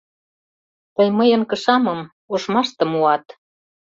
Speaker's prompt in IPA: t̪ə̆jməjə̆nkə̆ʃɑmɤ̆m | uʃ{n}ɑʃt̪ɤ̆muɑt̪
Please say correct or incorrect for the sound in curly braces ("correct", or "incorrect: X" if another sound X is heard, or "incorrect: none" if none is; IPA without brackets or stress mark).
incorrect: m